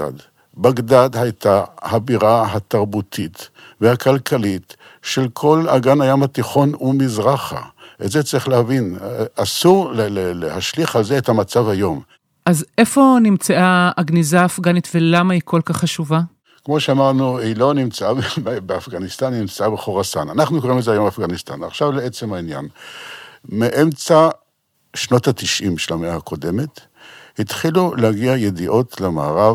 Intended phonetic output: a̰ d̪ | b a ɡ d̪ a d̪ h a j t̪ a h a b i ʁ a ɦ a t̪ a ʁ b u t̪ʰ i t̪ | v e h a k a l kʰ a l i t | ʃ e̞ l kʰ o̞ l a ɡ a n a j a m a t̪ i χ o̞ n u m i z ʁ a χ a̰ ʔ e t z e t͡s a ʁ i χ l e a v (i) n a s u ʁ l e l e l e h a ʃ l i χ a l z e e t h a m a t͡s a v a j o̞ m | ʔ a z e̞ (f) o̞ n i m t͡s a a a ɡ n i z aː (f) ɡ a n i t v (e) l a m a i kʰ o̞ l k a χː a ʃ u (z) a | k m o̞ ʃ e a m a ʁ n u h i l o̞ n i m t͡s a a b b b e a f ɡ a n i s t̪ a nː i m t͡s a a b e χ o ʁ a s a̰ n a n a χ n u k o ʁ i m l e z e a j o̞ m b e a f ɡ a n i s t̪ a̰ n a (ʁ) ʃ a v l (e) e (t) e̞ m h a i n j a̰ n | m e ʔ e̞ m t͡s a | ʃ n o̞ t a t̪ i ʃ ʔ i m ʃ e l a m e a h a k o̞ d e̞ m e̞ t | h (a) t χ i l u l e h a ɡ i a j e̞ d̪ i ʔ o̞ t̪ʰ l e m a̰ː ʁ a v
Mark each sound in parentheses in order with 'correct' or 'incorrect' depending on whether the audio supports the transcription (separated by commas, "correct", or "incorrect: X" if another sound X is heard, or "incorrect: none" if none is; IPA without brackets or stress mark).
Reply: correct, correct, correct, correct, incorrect: v, incorrect: χ, correct, incorrect: t͡s, incorrect: i